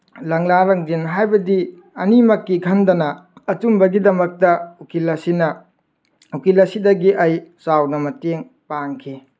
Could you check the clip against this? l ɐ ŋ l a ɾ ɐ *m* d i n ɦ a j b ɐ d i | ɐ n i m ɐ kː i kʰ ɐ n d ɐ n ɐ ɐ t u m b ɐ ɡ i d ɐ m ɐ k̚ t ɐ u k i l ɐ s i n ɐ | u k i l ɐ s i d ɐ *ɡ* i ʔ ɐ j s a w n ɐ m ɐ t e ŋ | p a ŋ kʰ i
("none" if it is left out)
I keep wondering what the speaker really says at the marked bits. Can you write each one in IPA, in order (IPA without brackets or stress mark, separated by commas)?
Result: ŋ, ɡ